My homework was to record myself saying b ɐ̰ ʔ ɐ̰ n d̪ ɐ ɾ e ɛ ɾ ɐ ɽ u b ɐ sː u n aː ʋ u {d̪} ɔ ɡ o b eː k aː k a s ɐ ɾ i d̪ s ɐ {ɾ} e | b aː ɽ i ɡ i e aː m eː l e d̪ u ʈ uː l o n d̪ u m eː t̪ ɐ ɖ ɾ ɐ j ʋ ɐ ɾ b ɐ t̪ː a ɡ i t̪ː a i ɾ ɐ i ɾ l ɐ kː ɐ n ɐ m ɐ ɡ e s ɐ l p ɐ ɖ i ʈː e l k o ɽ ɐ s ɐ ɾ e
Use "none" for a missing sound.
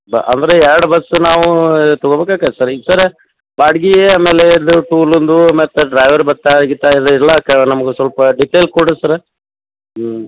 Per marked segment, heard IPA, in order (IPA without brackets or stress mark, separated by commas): t̪, ɾ